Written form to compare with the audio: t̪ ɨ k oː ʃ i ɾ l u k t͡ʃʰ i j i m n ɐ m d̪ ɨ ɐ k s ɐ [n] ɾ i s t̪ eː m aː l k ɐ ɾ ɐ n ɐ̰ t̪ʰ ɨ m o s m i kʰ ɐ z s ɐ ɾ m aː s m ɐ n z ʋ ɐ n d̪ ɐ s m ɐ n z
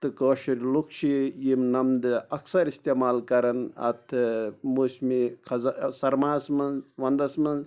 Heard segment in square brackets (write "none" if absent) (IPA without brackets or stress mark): none